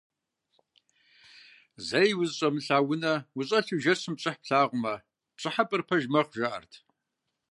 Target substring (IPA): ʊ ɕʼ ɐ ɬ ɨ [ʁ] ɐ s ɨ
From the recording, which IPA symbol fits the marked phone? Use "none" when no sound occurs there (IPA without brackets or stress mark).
ʒ